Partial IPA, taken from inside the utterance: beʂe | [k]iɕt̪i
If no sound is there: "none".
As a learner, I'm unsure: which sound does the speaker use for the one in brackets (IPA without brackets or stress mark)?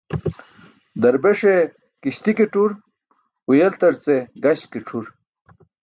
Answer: k